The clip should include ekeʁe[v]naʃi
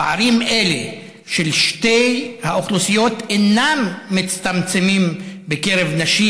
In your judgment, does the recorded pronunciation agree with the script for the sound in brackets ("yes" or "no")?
yes